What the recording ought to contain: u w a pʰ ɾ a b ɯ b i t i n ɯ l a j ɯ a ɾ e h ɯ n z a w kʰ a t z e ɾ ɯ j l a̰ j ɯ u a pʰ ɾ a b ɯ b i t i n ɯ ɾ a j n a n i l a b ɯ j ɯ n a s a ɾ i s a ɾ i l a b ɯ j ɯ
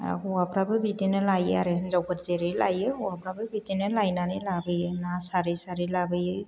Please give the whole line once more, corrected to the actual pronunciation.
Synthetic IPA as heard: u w a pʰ ɾ a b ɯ b i t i n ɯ l a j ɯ a ɾ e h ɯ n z a w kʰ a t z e ɾ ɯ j l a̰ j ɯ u a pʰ ɾ a b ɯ b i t i n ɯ l a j n a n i l a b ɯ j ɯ n a s a ɾ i s a ɾ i l a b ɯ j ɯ